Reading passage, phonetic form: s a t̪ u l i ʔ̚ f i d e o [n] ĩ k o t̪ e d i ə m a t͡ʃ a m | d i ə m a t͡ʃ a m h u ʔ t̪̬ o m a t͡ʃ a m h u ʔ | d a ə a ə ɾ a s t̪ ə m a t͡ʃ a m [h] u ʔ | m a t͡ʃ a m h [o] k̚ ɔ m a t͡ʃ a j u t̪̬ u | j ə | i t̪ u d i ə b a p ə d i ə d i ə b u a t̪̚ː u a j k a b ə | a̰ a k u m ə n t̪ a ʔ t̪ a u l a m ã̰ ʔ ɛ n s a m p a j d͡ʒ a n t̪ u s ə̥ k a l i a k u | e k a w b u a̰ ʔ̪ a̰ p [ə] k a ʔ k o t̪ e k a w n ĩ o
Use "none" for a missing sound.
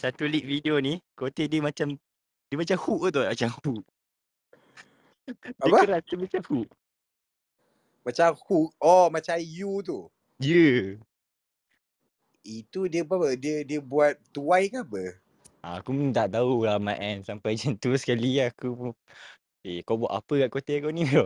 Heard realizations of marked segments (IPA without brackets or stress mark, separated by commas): n, h, u, ə